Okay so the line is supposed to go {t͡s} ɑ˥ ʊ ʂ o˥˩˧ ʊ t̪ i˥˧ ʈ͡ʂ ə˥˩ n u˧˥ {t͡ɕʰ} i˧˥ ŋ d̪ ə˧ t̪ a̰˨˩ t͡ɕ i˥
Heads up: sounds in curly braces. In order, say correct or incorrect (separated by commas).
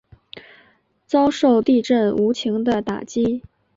correct, correct